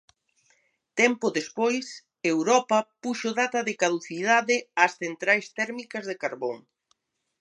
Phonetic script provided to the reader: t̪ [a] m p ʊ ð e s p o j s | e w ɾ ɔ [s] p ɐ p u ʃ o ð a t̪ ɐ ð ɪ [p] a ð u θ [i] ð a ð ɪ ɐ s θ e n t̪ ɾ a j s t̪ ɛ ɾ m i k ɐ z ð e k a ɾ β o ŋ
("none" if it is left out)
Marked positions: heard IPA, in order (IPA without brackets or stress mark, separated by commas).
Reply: ɛ, none, k, i